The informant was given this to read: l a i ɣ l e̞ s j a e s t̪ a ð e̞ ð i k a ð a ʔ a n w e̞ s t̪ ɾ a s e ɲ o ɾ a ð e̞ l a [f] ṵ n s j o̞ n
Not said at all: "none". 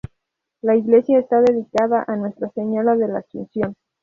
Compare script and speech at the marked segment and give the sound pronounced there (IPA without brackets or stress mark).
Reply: s